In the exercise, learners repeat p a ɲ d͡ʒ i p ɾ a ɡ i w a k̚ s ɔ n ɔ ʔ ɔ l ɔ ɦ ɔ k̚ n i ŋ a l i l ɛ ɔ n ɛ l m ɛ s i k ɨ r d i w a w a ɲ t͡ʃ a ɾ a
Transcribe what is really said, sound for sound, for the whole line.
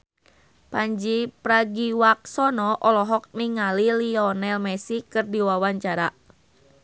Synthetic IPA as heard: p a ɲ d͡ʒ i p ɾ a ɡ i w a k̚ s ɔ n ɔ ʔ ɔ l ɔ ɦ ɔ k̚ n i ŋ a l i l i ɔ n ɛ l m ɛ s i k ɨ r d i w a w a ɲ t͡ʃ a ɾ a

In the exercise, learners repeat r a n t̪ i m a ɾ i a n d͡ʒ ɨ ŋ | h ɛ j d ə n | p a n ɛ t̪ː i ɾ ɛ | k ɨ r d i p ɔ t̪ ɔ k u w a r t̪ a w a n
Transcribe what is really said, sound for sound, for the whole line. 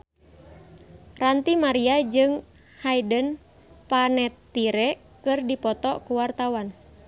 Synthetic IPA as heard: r a n t̪ i m a ɾ i a d͡ʒ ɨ ŋ | h a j d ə n | p a n ɛ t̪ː i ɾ ɛ | k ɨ r d i p ɔ t̪ ɔ k u w a r t̪ a w a n

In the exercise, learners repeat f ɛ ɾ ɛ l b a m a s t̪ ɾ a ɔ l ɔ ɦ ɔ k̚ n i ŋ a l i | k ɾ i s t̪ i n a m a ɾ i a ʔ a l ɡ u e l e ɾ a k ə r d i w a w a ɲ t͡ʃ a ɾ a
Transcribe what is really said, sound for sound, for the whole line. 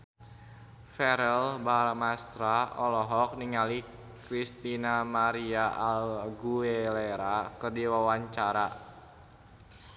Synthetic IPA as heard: f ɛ ɾ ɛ l b a m a s t̪ ɾ a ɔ l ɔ ɦ ɔ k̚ n i ŋ a l i | k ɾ i s t̪ i n a m a ɾ i a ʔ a l ɡ u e l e ɾ a k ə r d i w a w a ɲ t͡ʃ a ɾ a

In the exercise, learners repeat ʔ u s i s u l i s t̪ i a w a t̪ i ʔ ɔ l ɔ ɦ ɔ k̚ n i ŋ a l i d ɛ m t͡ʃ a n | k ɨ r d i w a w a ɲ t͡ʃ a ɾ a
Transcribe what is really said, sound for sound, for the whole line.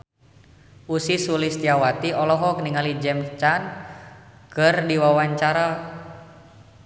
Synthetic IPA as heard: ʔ u s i s u l i s t̪ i a w a t̪ i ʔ ɔ l ɔ ɦ ɔ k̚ n i ŋ a l i d͡ʒ ɛ m t͡ʃ a n | k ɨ r d i w a w a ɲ t͡ʃ a ɾ a

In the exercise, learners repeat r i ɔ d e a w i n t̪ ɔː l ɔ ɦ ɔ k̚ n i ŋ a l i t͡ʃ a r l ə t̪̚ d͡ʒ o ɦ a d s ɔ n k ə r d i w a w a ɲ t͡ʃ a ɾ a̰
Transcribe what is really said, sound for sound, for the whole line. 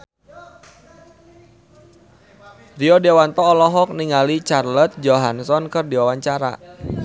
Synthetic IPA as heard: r i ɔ d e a w a n t̪ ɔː l ɔ ɦ ɔ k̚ n i ŋ a l i t͡ʃ a r l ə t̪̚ d͡ʒ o ɦ a n s ɔ n k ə r d i w a w a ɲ t͡ʃ a ɾ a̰

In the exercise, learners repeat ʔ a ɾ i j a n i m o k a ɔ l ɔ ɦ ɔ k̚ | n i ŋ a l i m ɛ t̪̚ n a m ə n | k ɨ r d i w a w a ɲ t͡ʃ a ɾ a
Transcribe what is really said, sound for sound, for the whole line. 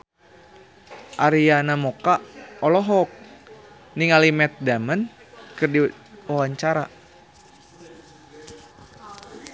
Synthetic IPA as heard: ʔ a ɾ i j a n a m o k a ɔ l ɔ ɦ ɔ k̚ | n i ŋ a l i m ɛ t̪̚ d a m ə n | k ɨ r d i w a w a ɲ t͡ʃ a ɾ a

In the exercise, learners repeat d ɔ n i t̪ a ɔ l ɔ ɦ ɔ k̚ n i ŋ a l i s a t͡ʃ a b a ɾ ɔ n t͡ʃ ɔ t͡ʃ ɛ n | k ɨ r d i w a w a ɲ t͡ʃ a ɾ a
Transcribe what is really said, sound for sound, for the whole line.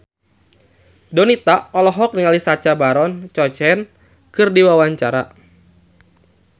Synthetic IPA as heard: d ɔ n i t̪ a ɔ l ɔ ɦ ɔ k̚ n i ŋ a l i s a t͡ʃ a b a ɾ ɔ n t͡ʃ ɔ t͡ʃ ɛ n | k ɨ r d i w a w a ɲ t͡ʃ a ɾ a

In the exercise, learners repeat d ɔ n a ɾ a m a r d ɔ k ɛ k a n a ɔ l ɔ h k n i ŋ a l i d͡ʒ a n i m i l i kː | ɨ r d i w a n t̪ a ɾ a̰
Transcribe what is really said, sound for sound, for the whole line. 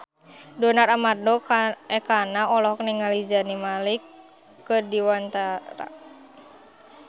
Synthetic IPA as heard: d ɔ n a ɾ a m a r d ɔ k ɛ k a n a ɔ l ɔ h k n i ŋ a l i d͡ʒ a n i m a l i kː | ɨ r d i w a n t̪ a ɾ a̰

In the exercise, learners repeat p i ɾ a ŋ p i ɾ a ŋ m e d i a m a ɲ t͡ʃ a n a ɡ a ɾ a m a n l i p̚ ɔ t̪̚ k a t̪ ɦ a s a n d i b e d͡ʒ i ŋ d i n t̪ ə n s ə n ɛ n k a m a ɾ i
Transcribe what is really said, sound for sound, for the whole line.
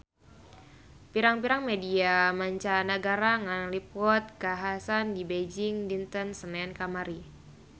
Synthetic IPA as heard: p i ɾ a ŋ p i ɾ a ŋ m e d i a m a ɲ t͡ʃ a n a ɡ a ɾ a ŋ a n l i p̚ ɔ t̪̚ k a ɦ a s a n d i b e d͡ʒ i ŋ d i n t̪ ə n s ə n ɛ n k a m a ɾ i

